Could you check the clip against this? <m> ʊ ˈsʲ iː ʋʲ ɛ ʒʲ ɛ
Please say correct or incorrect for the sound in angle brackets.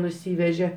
incorrect